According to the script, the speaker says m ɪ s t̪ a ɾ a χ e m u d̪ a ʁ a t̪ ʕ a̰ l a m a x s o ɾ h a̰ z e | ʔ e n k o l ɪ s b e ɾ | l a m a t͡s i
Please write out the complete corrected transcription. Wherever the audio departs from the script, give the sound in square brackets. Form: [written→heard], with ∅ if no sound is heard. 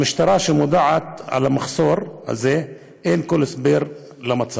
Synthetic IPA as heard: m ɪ [s→ʃ] t̪ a ɾ a [χ→ʃ] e m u d̪ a [ʁ→ʕ] a t̪ ʕ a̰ l a m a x s o ɾ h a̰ z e | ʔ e n k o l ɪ s b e ɾ | l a m a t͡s [i→a]